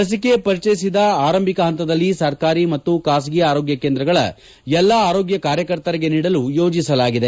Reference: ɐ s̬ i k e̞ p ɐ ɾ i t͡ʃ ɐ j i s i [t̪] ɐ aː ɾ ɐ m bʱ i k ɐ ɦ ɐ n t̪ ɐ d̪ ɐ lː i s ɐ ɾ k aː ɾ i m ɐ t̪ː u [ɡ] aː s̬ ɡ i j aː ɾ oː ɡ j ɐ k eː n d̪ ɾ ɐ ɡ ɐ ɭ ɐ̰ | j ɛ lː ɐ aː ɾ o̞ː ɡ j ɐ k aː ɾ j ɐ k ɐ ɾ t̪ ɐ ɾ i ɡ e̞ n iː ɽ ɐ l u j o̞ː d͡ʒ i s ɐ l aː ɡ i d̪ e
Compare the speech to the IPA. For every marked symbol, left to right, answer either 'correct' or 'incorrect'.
incorrect: d̪, incorrect: k

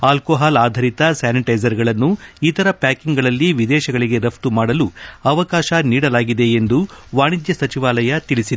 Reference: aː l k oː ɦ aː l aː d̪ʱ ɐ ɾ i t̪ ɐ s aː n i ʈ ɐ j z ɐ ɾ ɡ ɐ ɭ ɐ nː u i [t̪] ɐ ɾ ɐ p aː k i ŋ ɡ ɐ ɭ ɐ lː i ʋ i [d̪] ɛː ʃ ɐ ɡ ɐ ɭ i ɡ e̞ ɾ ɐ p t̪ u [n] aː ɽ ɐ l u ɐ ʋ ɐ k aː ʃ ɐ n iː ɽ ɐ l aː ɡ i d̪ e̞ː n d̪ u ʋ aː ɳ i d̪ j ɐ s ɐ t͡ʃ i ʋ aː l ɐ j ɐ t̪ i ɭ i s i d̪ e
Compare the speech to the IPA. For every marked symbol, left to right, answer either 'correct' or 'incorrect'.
correct, correct, incorrect: m

